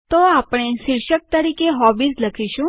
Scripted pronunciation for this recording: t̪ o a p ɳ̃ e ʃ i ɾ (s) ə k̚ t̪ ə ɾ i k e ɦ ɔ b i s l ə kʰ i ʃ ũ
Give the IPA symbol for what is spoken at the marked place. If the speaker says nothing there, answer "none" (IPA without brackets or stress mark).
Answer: ʃ